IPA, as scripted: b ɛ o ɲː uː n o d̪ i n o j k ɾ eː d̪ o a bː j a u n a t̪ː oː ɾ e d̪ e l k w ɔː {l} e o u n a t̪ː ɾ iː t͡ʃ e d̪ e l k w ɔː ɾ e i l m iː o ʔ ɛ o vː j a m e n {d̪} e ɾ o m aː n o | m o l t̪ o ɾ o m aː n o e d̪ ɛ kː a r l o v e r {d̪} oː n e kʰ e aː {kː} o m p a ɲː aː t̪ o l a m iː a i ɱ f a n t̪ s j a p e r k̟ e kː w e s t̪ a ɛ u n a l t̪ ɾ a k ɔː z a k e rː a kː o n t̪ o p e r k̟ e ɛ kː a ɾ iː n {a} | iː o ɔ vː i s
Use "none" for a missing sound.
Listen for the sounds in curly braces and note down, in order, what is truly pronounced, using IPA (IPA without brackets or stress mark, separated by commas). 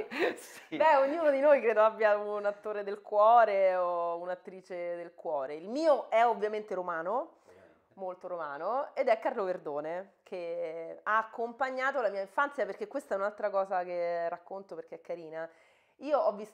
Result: ɾ, t̪, d̪, kː, a